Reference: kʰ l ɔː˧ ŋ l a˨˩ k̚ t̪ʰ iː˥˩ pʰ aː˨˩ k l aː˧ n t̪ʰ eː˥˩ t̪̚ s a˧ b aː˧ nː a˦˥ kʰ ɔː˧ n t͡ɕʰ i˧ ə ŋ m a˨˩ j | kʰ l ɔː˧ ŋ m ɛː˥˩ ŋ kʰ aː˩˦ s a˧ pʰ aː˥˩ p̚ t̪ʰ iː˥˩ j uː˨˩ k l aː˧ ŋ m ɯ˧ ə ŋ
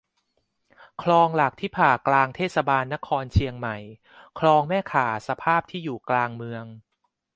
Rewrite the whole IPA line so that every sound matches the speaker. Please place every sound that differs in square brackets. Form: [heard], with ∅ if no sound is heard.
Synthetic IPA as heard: kʰ l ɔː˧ ŋ l a˨˩ k̚ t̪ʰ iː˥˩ pʰ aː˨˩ k l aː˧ [ŋ] t̪ʰ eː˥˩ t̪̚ s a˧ b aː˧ nː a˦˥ kʰ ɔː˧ n t͡ɕʰ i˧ ə ŋ m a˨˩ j | kʰ l ɔː˧ ŋ m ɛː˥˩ [∅] kʰ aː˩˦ s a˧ pʰ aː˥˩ p̚ t̪ʰ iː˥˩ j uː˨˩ k l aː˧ ŋ m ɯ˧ ə ŋ